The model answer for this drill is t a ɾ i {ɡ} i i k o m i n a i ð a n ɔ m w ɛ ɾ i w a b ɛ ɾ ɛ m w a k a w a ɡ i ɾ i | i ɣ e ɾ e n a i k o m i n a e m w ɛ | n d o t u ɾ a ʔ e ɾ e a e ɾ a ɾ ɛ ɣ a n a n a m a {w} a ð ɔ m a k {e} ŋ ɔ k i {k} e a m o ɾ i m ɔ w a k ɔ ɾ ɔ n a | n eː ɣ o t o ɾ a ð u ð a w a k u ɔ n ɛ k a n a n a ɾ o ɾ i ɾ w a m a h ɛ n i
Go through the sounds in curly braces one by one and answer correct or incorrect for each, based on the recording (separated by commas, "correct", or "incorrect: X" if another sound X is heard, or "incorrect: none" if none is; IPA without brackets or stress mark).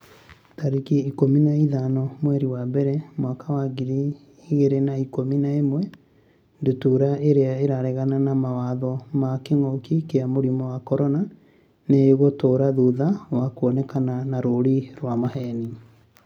incorrect: k, correct, correct, correct